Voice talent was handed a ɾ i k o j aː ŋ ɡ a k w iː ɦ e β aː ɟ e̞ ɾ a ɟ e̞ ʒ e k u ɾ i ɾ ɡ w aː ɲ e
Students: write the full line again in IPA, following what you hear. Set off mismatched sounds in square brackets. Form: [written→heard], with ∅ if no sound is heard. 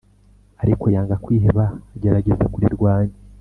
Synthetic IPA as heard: a ɾ i k o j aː ŋ ɡ a k w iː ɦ e β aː ɟ e̞ ɾ a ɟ e̞ [ʒ→z] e k u ɾ i ɾ ɡ w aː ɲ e